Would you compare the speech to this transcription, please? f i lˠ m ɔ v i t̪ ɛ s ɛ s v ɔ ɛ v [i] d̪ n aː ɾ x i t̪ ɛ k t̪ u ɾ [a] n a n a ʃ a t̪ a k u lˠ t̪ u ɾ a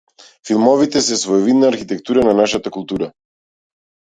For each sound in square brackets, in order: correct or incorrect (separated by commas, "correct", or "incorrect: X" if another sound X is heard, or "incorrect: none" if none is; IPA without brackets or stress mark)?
correct, correct